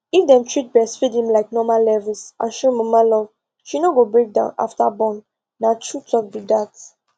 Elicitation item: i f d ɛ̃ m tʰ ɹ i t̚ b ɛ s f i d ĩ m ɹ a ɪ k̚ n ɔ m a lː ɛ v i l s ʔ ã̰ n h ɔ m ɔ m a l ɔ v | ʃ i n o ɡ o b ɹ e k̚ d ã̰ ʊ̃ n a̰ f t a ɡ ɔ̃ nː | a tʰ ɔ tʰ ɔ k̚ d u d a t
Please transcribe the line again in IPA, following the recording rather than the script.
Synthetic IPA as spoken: i f d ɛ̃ m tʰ ɹ i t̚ b ɛ s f i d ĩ m l a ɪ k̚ n ɔ m a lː ɛ v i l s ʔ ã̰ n ʃ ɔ m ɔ m a l ɔ v | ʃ i n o ɡ o b ɹ e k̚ d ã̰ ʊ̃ n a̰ f t a b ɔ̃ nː | a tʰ u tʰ ɔ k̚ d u d a t